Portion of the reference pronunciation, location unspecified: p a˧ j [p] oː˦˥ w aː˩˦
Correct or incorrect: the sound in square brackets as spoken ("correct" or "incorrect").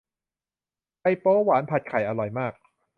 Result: correct